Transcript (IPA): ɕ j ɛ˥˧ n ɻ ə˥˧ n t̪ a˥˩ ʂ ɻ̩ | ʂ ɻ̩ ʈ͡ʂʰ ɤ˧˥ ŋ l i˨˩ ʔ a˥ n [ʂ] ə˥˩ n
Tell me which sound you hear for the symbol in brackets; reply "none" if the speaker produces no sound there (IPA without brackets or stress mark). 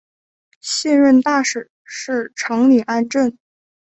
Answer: ʈ͡ʂ